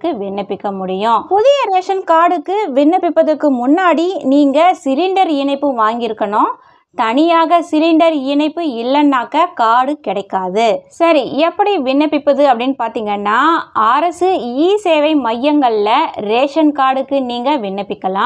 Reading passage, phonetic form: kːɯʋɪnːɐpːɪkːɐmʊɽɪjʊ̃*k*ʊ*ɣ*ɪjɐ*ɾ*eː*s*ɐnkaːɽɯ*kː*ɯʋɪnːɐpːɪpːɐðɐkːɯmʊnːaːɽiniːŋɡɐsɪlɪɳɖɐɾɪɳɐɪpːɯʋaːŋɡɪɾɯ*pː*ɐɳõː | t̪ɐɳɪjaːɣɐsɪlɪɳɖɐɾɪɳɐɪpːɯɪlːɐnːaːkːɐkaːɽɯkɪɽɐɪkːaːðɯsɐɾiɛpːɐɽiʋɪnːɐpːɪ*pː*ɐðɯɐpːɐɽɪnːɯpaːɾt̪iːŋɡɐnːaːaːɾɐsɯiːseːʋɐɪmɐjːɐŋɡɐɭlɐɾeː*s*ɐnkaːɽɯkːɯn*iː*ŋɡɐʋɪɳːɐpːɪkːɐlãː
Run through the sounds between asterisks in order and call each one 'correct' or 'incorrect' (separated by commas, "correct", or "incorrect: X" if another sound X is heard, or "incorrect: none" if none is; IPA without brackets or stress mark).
incorrect: p, incorrect: ð, correct, incorrect: ʂ, correct, incorrect: kː, correct, incorrect: ʂ, correct